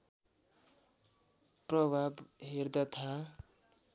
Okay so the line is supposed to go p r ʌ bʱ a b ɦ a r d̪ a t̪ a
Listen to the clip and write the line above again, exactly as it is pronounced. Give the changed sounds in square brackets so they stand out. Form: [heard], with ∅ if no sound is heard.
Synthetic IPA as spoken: p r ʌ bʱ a b ɦ [e] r d̪ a [t̪ʰ] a